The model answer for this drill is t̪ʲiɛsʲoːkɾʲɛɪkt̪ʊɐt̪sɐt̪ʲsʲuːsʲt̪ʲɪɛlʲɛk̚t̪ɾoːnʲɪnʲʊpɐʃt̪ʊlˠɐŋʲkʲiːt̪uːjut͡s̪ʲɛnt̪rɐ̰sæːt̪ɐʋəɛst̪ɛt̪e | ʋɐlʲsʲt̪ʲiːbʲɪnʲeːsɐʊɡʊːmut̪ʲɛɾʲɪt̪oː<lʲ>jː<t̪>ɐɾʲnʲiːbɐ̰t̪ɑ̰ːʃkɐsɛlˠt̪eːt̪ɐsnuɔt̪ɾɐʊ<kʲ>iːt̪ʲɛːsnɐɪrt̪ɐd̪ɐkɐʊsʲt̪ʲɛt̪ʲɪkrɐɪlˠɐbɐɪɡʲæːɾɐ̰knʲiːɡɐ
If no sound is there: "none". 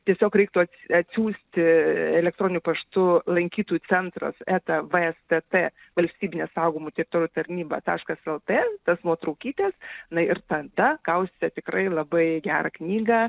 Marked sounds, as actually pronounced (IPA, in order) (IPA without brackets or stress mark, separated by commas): ɾʲ, t̪, kʲ